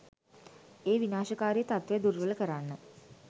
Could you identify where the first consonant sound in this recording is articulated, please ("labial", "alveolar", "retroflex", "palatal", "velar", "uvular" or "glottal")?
labial